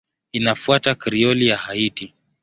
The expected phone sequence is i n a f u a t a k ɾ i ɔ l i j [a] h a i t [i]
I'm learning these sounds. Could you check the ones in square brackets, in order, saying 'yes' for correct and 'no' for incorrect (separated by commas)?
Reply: yes, yes